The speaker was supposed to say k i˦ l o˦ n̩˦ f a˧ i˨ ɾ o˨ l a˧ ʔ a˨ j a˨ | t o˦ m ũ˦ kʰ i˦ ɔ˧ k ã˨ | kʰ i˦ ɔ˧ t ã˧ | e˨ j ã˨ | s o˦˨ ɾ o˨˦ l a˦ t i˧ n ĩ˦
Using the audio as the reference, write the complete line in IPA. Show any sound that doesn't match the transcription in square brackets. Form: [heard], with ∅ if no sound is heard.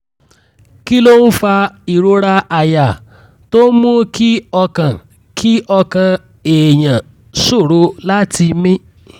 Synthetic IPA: k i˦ l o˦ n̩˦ f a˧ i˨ ɾ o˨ [ɾ] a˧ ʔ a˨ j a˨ | t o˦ m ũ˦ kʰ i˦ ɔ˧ k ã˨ | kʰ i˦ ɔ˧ [k] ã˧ | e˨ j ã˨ | s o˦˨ ɾ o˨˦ l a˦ t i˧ [m] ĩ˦